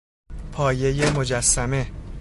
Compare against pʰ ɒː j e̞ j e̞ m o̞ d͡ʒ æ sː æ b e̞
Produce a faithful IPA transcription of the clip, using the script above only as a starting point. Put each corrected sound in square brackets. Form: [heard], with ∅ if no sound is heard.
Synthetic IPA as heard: pʰ ɒː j e̞ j e̞ m o̞ d͡ʒ æ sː æ [m] e̞